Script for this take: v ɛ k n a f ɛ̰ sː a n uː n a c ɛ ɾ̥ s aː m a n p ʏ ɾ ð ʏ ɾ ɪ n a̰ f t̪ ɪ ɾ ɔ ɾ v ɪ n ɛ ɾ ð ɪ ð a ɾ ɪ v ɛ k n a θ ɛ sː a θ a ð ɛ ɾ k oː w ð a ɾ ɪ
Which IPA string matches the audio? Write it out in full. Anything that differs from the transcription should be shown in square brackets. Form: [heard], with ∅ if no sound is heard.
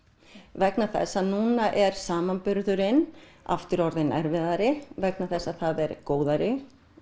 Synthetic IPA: v ɛ k n a [θ] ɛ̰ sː a n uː n a [ʔ] ɛ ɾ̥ s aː m a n p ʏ ɾ ð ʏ ɾ ɪ n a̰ f t̪ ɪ ɾ ɔ ɾ [ð] ɪ n ɛ ɾ [v] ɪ ð a ɾ ɪ v ɛ k n a θ ɛ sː a θ a ð ɛ ɾ k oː w ð a ɾ ɪ